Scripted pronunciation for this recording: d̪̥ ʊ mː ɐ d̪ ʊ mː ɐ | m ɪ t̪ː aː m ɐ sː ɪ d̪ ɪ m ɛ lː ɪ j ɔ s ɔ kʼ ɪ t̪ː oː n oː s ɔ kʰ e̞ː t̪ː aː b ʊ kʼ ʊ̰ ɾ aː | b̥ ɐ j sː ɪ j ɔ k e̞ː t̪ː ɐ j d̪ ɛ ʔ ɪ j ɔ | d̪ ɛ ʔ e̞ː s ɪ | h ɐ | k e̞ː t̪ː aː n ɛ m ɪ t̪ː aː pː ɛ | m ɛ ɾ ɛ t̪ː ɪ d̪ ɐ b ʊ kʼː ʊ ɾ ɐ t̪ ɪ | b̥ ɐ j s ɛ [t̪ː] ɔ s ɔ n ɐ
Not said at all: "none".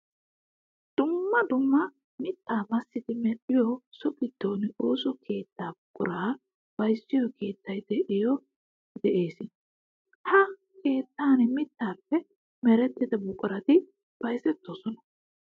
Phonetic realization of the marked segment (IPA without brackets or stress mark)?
t̪ː